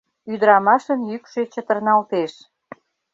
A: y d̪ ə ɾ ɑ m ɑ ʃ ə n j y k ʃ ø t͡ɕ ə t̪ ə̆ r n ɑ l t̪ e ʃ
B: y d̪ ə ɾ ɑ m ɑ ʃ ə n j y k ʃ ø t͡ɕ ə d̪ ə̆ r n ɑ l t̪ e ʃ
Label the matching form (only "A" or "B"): A